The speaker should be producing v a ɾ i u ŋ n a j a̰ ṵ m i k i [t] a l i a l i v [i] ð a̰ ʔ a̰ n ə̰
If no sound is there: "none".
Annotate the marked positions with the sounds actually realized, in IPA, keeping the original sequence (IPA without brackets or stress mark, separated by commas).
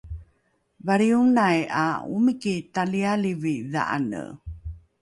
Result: t, i